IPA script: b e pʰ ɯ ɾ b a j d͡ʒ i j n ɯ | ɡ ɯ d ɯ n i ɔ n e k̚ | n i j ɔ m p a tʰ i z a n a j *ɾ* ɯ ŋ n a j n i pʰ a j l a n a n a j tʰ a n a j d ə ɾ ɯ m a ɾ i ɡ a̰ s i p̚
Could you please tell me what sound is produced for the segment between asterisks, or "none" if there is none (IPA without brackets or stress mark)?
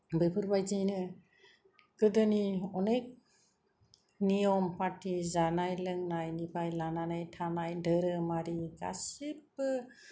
l